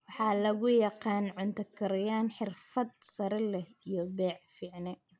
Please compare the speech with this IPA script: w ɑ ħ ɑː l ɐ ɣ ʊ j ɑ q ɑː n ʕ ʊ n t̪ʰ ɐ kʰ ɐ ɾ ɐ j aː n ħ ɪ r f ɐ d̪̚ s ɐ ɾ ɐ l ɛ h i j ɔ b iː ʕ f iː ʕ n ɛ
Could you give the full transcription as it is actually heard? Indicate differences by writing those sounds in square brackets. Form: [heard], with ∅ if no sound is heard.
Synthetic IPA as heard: w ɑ ħ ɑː l ɐ ɣ ʊ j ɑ q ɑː n ʕ ʊ n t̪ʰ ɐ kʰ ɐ ɾ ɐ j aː n ħ ɪ r f ɐ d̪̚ s ɐ ɾ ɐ l ɛ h i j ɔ b [ɛː] ʕ f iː ʕ n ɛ

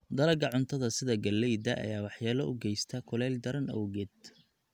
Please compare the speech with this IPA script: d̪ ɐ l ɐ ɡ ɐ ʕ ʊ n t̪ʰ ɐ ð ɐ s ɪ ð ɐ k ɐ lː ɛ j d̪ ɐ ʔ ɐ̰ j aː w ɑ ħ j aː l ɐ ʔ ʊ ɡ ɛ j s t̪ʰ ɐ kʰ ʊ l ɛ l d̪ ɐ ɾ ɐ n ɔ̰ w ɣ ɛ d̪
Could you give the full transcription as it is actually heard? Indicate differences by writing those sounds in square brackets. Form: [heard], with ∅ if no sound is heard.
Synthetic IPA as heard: d̪ ɐ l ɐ ɡ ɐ ʕ ʊ n t̪ʰ ɐ ð ɐ s ɪ ð ɐ [ɡ] ɐ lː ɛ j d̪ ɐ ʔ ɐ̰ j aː w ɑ ħ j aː l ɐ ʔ ʊ ɡ ɛ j s t̪ʰ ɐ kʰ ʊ l ɛ l d̪ ɐ ɾ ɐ n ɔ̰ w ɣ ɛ d̪

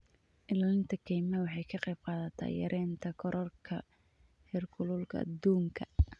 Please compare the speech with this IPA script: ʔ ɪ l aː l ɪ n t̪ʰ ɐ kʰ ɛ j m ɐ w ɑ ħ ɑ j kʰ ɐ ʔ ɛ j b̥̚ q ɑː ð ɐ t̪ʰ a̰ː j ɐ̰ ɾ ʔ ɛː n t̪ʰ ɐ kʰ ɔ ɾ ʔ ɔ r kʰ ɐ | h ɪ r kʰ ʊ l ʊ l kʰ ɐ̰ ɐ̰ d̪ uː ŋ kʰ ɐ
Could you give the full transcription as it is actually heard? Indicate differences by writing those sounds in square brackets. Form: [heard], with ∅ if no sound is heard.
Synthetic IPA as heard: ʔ ɪ l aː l ɪ n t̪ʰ ɐ kʰ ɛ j m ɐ w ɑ ħ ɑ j kʰ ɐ [q] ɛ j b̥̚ q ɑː ð ɐ t̪ʰ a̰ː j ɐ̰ ɾ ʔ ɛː n t̪ʰ ɐ kʰ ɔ ɾ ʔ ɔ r kʰ ɐ | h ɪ r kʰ ʊ l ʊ l kʰ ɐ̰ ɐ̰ d̪ uː ŋ kʰ ɐ

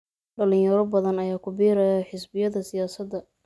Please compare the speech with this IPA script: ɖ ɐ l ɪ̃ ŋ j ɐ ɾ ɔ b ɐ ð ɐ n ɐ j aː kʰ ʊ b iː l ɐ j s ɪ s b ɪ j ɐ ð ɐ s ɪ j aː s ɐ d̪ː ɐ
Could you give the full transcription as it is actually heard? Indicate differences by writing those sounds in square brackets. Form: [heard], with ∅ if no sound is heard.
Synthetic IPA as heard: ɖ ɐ l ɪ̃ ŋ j ɐ ɾ ɔ b ɐ ð ɐ n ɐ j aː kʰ ʊ b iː [ɾ] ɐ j [ħ] ɪ s b ɪ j ɐ ð ɐ s ɪ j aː s ɐ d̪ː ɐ

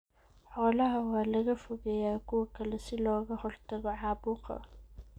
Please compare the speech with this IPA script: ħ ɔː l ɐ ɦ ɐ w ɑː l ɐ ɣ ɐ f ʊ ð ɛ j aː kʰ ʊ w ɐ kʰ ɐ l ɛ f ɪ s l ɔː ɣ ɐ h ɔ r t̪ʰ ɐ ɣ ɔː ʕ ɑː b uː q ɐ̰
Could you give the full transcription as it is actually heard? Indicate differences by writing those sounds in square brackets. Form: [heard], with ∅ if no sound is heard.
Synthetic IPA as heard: ħ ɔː l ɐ ɦ ɐ w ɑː l ɐ ɣ ɐ f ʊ [ɣ] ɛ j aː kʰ ʊ w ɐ kʰ ɐ l ɛ [s] ɪ [∅] l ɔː ɣ ɐ h ɔ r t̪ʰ ɐ ɣ [ɔ] ʕ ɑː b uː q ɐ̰

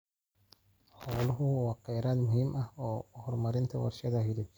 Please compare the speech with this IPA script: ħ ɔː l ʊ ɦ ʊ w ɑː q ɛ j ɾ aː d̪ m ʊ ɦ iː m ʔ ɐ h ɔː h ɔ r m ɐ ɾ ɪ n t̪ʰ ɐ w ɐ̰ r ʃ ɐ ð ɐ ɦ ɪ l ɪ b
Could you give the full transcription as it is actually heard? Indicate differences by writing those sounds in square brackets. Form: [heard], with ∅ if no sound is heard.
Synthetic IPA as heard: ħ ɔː l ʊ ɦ ʊ w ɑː q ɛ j ɾ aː d̪ m ʊ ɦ iː m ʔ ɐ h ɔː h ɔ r m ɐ ɾ ɪ n t̪ʰ ɐ w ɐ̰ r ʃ ɐ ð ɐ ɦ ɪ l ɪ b

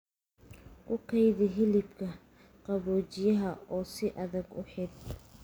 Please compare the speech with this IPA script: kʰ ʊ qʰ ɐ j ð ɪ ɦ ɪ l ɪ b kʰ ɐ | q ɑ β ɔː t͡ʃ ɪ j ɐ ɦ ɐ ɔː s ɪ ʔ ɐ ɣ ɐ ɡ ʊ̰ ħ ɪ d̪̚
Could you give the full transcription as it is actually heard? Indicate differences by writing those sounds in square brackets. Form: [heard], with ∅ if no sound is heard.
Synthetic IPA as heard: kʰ ʊ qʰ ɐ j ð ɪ ɦ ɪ l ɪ b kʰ ɐ | q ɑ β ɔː t͡ʃ ɪ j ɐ ɦ ɐ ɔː s ɪ ʔ ɐ [ð] ɐ ɡ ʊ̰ ħ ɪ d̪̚

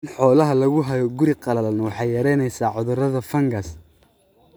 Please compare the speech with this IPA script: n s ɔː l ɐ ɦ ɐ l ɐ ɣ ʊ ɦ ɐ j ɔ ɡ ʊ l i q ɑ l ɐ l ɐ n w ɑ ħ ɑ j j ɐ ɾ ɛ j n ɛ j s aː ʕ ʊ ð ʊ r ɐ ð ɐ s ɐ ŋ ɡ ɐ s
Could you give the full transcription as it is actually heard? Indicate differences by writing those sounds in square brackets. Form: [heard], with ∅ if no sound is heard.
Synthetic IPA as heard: n [ħ] ɔː l ɐ ɦ ɐ l ɐ ɣ ʊ ɦ ɐ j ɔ ɡ ʊ [ɾ] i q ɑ l ɐ l ɐ n w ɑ ħ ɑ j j ɐ ɾ ɛ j n ɛ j s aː ʕ ʊ ð ʊ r ɐ ð ɐ [f] ɐ ŋ ɡ ɐ s

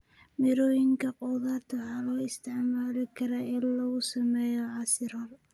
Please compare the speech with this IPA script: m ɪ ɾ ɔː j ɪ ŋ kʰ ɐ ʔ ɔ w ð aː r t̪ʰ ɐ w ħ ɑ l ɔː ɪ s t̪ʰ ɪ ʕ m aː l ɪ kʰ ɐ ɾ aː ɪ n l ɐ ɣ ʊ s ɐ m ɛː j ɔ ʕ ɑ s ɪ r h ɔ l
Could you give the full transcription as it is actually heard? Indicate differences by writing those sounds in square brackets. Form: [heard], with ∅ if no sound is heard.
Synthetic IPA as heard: m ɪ ɾ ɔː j ɪ ŋ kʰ ɐ [q] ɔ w ð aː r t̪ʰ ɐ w ħ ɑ l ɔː ɪ s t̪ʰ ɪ ʕ m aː l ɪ kʰ ɐ ɾ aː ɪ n l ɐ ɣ ʊ s ɐ m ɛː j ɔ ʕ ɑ s ɪ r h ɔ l

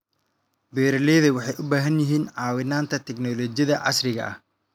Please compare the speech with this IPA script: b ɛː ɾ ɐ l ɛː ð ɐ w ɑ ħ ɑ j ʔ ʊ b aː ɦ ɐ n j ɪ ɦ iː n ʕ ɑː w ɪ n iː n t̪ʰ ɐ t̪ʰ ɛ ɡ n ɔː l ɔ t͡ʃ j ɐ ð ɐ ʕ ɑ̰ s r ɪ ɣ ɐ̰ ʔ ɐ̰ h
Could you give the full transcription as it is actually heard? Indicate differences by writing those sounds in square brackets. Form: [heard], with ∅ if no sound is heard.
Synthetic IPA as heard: b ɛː ɾ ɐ l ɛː ð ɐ w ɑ ħ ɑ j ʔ ʊ b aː ɦ ɐ n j ɪ ɦ iː n ʕ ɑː w ɪ n [aː] n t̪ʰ ɐ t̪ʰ ɛ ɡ n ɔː l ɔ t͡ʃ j ɐ ð ɐ ʕ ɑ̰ s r ɪ ɣ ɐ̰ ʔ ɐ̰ h

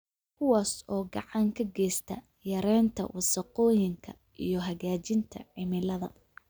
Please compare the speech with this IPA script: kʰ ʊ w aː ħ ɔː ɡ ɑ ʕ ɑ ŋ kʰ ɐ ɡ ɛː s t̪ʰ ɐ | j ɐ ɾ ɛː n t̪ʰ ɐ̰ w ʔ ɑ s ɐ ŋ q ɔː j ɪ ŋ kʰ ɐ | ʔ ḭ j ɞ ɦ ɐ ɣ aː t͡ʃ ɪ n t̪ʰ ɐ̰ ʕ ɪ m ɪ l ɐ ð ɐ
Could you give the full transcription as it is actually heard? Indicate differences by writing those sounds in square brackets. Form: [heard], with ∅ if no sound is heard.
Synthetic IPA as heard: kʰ ʊ w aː [s] ɔː ɡ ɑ ʕ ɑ ŋ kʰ ɐ ɡ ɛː s t̪ʰ ɐ | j ɐ ɾ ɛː n t̪ʰ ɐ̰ w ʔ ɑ s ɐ [∅] q ɔː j ɪ ŋ kʰ ɐ | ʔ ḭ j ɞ ɦ ɐ ɣ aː t͡ʃ ɪ n t̪ʰ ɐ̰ ʕ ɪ m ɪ l ɐ ð ɐ

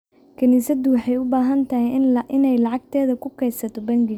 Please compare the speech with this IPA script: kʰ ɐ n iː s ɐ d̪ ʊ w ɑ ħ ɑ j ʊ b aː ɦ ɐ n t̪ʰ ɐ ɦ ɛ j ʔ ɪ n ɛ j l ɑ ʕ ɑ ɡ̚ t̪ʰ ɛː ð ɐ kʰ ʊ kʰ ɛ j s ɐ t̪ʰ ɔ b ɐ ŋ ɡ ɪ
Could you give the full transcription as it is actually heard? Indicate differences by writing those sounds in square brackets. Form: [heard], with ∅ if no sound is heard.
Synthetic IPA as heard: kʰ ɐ n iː s ɐ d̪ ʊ w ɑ ħ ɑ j ʊ b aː ɦ ɐ n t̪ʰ ɐ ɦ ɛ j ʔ ɪ n ɛ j l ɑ ʕ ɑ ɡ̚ t̪ʰ ɛː ð ɐ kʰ ʊ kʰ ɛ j s ɐ t̪ʰ ɔ b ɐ ŋ ɡ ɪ

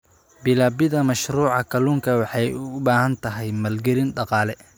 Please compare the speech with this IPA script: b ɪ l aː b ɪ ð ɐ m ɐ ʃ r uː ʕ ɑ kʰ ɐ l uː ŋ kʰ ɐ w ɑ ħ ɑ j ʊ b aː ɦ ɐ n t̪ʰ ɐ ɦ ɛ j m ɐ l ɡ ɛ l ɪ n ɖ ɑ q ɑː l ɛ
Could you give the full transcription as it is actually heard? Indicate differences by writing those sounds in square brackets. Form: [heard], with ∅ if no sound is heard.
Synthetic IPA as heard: b ɪ l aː b ɪ ð ɐ m ɐ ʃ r uː ʕ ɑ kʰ ɐ l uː ŋ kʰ ɐ w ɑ ħ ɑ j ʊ b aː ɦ ɐ n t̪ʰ ɐ ɦ ɛ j m ɐ l ɡ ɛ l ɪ n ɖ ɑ q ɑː l ɛ

